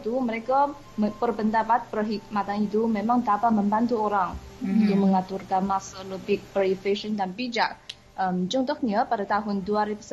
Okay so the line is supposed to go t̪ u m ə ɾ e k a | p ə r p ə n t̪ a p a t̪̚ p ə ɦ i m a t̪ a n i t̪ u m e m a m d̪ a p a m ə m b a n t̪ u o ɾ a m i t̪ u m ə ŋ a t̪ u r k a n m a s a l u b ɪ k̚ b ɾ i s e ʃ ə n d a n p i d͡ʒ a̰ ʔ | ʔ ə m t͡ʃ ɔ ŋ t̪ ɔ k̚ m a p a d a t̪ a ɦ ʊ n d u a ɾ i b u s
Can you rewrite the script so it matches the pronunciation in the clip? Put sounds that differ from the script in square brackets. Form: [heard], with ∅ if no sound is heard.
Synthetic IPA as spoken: t̪ u m ə ɾ e k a | p ə r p ə n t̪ a p a t̪̚ p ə ɦ i m a t̪ a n i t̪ u m e m a [ŋ] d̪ a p a m ə m b a n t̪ u o ɾ a [ŋ] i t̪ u m ə ŋ a t̪ u r k a n m a s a l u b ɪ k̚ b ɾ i [f] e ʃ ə n d a n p i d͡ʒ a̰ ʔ | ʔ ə m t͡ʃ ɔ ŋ t̪ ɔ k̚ [ɲ] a p a d a t̪ a ɦ ʊ n d u a ɾ i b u s